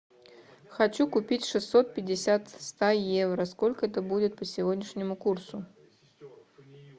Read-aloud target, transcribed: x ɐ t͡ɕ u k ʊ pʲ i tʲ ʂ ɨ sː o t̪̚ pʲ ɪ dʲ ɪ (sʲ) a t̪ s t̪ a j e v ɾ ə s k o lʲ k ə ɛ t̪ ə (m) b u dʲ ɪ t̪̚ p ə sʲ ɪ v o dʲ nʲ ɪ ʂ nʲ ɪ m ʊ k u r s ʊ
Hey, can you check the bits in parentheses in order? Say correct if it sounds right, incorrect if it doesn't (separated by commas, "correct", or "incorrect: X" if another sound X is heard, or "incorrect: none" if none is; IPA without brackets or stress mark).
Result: correct, incorrect: none